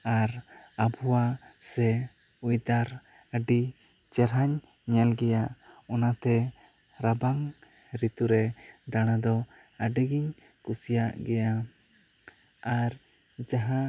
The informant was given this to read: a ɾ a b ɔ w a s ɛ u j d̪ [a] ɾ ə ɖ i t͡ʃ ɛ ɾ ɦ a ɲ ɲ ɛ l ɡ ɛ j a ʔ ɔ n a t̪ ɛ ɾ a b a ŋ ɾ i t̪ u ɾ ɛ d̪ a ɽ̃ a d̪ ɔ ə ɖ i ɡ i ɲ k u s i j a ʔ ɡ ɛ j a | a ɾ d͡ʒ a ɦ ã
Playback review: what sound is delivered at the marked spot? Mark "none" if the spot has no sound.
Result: a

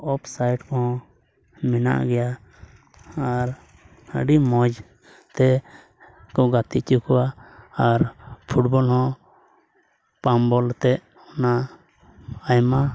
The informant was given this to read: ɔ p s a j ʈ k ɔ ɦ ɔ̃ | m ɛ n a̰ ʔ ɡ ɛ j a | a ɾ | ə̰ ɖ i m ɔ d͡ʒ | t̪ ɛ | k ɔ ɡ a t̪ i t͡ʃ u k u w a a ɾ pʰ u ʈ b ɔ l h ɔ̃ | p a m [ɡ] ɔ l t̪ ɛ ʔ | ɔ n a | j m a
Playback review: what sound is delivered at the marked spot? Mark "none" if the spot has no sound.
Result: b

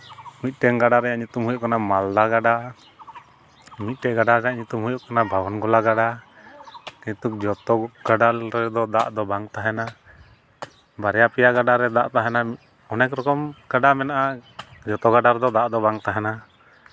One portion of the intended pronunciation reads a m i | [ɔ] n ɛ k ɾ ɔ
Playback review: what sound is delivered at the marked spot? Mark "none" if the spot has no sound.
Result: ɔ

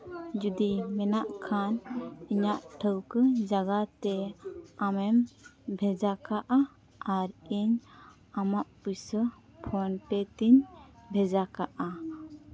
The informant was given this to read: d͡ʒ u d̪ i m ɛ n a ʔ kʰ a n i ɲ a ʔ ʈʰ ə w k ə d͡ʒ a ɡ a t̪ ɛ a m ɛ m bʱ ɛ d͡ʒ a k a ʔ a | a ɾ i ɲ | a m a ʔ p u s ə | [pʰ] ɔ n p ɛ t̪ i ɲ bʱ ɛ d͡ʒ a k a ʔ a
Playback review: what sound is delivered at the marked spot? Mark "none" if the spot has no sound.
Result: pʰ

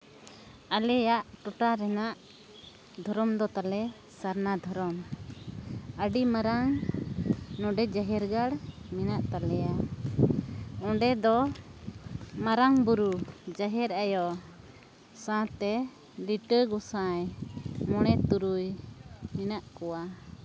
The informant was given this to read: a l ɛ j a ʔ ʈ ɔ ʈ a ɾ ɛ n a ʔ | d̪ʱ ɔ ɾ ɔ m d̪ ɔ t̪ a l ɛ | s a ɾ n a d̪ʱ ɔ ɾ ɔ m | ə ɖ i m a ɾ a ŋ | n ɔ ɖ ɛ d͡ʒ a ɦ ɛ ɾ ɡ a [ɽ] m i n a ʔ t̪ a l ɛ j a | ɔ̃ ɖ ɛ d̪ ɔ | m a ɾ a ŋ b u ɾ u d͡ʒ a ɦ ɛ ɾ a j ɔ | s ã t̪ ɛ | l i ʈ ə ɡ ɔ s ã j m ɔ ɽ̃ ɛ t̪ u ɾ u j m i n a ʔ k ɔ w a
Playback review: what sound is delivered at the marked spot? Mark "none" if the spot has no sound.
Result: ɽ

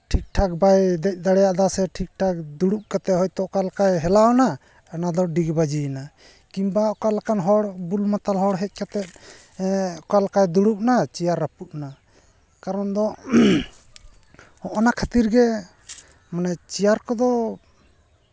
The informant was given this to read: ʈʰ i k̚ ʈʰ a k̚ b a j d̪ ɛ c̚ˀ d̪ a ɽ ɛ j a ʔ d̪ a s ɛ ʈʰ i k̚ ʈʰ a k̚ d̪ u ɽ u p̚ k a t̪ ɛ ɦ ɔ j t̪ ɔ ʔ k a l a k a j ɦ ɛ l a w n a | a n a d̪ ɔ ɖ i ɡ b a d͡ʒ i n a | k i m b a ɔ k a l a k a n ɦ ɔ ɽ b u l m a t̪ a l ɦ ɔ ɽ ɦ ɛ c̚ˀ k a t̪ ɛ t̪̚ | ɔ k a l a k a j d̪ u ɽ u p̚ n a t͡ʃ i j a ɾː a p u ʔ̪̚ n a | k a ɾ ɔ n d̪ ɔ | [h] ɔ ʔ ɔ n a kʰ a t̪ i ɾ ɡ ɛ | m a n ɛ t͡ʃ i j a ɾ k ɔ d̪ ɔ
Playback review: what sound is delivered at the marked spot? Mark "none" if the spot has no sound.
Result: h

